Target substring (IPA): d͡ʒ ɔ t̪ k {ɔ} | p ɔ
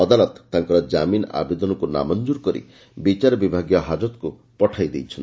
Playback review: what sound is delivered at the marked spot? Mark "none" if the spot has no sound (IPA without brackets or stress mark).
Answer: u